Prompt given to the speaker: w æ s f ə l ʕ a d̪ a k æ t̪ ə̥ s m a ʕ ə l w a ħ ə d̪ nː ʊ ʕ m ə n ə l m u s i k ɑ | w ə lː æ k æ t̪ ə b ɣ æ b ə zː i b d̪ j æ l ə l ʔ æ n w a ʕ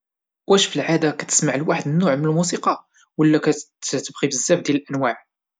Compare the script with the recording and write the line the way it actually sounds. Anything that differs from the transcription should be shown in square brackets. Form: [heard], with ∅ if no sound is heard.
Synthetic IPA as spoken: w æ [ʃ] f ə l ʕ a d̪ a k æ t̪ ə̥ s m a ʕ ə l w a ħ ə d̪ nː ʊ ʕ m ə n ə l m u s i [q] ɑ | w ə lː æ k æ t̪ ə b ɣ [i] b ə zː [æ] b d̪ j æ l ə l ʔ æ n w a ʕ

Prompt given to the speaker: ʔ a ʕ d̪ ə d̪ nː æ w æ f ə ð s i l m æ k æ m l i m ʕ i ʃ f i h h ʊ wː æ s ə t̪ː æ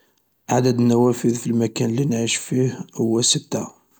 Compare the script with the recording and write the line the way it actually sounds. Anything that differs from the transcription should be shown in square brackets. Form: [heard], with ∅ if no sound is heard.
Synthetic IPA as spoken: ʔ a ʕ d̪ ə d̪ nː æ w æ f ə ð [f] i l m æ k æ [n] l i [n] ʕ i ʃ f i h h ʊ wː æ s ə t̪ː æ

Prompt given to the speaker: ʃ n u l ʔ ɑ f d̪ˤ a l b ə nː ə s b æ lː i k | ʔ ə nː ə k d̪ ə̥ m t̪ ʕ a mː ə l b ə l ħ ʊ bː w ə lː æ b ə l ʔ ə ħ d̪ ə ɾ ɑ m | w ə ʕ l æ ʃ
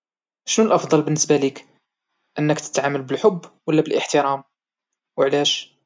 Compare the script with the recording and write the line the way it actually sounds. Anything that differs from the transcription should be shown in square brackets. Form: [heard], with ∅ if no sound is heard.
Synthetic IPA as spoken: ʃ n u l ʔ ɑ f d̪ˤ [ɑ] l b ə nː ə s b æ [l] i k | ʔ ə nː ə k [t̪] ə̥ [∅] t̪ ʕ a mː ə l b ə l ħ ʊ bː w ə lː æ b ə l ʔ ə ħ [t̪] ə ɾ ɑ m | w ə ʕ l æ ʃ

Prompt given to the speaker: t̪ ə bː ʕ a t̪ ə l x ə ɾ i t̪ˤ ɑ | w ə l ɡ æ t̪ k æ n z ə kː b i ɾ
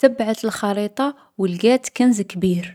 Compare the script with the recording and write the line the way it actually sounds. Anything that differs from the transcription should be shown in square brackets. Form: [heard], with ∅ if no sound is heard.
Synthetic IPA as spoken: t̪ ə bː ʕ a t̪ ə l x [ɑ] ɾ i t̪ˤ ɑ | w ə l ɡ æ t̪ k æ n z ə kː b i ɾ

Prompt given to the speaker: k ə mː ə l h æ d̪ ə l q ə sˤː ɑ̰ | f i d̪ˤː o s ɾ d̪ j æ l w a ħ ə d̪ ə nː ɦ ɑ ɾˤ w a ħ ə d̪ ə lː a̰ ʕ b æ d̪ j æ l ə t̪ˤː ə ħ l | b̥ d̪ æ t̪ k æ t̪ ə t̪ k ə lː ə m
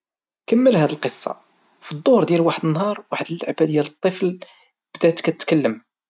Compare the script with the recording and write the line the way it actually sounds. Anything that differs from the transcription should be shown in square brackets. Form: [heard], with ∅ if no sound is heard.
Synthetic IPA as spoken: k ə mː ə l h æ d̪ ə l q ə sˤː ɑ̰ | f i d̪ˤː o [h] ɾ d̪ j æ l w a ħ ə d̪ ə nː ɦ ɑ ɾˤ w a ħ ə d̪ ə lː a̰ ʕ b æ d̪ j æ l ə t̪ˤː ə [f] l | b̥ d̪ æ t̪ k æ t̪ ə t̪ k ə lː ə m

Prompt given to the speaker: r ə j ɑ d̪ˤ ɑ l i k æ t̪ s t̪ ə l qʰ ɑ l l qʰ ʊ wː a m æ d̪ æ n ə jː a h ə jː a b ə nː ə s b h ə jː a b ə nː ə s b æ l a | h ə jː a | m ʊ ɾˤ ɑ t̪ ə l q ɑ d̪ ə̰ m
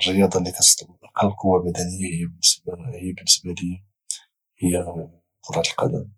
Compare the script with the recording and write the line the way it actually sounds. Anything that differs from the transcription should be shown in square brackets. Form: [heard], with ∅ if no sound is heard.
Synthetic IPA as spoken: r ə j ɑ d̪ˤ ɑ l i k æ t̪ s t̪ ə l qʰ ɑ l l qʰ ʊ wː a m æ d̪ æ n ə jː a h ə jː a b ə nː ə s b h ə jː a b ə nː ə s b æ l [i] | h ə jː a | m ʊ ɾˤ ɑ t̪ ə l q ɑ d̪ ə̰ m

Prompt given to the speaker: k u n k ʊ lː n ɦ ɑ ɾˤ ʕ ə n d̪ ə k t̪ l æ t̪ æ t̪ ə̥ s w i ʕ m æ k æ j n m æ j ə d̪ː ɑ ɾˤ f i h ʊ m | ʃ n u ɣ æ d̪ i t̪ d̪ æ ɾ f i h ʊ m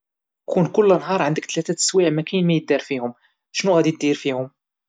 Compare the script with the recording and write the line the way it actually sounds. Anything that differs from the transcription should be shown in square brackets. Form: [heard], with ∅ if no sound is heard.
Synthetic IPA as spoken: k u n k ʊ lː n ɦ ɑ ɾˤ ʕ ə n d̪ ə k t̪ l æ t̪ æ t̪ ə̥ s w i ʕ m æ k æ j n m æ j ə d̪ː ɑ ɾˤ f i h ʊ m | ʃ n u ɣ æ d̪ i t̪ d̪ [i] ɾ f i h ʊ m

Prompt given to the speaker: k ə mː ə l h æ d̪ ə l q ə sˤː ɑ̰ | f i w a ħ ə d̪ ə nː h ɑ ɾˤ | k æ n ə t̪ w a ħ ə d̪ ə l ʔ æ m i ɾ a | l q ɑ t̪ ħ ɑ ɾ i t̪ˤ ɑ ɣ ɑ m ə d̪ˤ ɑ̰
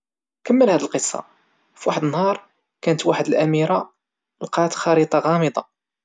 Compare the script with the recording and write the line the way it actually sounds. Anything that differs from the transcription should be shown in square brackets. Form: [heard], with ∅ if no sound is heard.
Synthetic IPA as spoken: k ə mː ə l h æ d̪ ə l q ə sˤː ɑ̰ | f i w a ħ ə d̪ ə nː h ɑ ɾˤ | k æ n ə t̪ w a ħ ə d̪ ə l ʔ æ m i ɾ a | l q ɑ t̪ [x] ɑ ɾ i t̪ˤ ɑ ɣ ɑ m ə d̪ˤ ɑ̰

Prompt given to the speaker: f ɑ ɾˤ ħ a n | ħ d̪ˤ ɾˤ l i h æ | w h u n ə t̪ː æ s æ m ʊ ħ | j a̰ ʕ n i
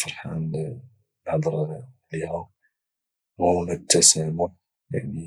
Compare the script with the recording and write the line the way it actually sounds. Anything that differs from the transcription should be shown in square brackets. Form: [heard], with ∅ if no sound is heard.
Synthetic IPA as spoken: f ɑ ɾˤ ħ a n | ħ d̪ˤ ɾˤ l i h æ | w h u n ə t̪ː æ s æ m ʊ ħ | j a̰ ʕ n i

